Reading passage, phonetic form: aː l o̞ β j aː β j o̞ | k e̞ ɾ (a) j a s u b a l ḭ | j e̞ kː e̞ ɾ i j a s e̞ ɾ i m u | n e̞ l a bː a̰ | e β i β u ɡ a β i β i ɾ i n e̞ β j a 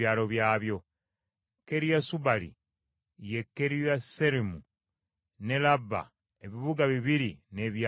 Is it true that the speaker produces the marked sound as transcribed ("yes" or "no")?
no